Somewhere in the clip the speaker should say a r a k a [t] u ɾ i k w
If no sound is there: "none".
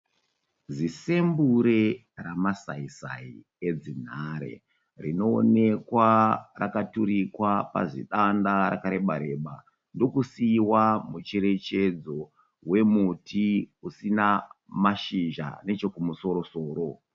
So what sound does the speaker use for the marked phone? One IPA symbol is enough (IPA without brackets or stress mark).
t